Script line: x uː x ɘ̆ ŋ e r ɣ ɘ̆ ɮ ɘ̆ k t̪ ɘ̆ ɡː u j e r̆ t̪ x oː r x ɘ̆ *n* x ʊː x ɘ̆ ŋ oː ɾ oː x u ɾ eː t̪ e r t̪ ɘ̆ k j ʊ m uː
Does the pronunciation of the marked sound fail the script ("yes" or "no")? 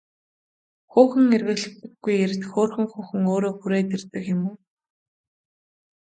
yes